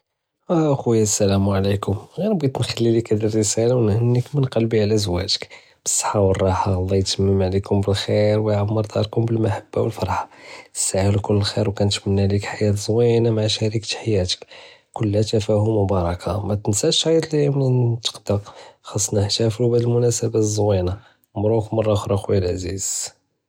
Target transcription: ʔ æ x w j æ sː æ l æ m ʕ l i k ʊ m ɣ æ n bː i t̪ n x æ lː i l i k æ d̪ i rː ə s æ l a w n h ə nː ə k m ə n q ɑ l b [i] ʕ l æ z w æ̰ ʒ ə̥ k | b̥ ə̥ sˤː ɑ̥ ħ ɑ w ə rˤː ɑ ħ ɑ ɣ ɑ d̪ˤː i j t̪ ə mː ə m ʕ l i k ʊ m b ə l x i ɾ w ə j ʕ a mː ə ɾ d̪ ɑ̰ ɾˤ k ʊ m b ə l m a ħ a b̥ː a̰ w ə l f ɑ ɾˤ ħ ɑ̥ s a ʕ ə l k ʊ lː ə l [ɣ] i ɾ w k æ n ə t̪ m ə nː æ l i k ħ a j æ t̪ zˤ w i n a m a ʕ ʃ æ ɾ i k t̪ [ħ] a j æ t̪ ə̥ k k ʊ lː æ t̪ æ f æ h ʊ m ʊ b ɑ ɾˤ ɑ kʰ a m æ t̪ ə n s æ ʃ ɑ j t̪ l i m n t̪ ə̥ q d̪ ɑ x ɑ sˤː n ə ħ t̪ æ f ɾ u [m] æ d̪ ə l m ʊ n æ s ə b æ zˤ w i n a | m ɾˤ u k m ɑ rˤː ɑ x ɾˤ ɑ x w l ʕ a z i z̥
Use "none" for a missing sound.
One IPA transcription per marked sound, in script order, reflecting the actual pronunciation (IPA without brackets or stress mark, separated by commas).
i, x, ħ, b